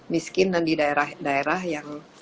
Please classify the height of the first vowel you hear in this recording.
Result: high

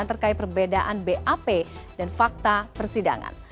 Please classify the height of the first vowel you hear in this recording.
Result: mid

